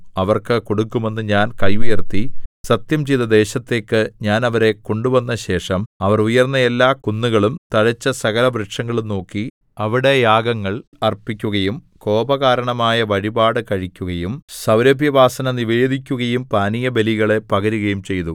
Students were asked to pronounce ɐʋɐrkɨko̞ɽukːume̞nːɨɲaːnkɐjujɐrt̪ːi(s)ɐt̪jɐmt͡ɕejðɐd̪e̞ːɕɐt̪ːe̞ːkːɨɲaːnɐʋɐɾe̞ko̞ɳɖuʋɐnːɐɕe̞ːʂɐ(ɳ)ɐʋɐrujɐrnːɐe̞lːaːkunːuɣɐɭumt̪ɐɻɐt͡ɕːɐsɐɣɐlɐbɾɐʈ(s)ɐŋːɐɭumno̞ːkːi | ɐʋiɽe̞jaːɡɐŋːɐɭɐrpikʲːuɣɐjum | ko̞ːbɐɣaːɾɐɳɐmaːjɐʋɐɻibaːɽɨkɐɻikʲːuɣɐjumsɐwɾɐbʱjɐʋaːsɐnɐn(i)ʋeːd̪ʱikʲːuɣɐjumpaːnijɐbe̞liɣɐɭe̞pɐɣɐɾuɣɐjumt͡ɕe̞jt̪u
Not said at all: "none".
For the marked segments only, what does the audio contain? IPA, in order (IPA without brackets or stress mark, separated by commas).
s, m, ʂ, i